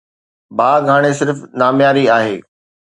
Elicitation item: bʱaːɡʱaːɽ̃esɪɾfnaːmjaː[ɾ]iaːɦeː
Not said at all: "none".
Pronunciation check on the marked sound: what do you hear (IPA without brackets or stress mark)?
ɾ